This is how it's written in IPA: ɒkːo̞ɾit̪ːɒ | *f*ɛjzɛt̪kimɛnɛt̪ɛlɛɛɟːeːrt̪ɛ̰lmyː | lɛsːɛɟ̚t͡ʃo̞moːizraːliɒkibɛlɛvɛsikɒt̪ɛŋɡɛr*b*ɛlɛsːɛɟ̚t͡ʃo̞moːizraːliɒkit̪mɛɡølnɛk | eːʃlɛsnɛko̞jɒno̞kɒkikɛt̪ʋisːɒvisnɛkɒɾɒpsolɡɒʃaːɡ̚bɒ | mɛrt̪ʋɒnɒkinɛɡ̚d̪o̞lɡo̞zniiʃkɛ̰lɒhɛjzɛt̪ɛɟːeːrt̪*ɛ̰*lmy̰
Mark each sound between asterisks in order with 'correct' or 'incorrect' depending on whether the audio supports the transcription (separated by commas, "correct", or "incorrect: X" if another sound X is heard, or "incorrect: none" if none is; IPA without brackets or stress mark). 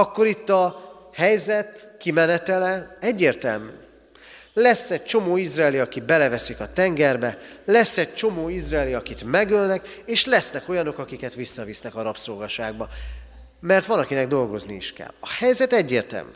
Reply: incorrect: h, correct, correct